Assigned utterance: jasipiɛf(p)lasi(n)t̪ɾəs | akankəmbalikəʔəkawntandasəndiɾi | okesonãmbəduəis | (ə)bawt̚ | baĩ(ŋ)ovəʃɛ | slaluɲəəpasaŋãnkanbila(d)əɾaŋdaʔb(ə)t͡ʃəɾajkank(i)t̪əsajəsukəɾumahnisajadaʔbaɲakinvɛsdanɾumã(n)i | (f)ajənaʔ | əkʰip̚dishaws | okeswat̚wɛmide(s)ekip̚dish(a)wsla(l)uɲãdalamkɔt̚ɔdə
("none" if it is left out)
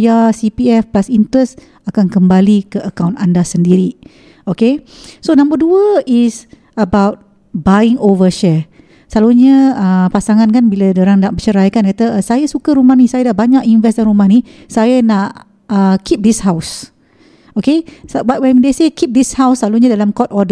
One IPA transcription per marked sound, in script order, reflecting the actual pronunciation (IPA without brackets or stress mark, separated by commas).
p, n, ə, ŋ, d, ə, a, n, s, s, a, l